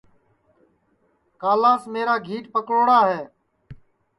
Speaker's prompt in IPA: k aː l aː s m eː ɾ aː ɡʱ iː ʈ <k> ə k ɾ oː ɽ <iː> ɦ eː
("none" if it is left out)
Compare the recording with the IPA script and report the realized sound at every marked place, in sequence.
p, aː

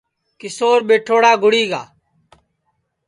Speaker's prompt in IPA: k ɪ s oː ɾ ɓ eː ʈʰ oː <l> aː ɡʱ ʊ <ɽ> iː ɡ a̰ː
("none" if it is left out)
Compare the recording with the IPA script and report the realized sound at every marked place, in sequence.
ɽ, ɽ

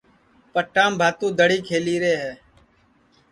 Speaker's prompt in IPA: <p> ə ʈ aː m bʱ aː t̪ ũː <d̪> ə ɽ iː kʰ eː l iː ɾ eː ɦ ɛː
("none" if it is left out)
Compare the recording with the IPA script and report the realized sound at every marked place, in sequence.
p, d̪

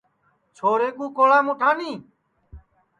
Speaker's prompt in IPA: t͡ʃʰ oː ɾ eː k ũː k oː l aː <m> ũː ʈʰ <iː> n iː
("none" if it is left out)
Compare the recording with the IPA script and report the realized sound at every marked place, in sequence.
m, aː

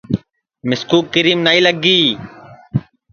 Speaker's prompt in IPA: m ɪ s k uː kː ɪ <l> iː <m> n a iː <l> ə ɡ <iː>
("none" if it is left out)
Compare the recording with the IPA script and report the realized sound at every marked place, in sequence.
ɾ, m, l, iː

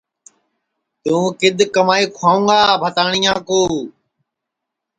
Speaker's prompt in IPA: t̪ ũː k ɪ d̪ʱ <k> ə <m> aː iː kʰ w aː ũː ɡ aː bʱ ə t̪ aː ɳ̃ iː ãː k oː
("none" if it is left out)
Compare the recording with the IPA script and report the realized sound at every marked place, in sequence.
k, m

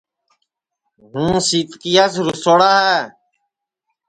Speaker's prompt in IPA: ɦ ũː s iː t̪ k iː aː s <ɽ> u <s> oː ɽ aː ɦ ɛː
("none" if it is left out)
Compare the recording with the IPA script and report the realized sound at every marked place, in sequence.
ɾ, s

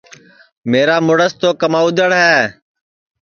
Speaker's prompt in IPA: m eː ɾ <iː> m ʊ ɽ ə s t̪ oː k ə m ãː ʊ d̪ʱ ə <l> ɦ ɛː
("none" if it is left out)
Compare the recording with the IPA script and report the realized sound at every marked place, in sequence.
aː, ɽ

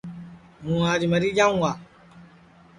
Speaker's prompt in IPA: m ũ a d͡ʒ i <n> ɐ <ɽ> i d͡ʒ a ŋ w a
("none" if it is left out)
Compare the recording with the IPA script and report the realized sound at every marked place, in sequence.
m, ɾ

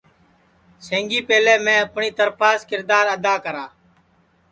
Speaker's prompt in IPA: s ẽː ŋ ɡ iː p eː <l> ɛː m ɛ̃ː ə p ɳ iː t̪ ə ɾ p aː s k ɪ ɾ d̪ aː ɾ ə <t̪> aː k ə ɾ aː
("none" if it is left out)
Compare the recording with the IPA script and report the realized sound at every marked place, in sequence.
l, d̪

